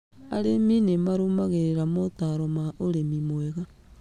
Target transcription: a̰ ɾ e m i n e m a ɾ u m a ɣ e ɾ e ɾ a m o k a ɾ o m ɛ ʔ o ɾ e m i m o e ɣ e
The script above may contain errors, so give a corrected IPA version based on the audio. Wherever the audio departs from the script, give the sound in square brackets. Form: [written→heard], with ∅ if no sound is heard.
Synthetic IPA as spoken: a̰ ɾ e m i n e m a ɾ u m a ɣ e ɾ e ɾ a m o [k→t] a ɾ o m [ɛ→a] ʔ o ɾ e m i m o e ɣ [e→a]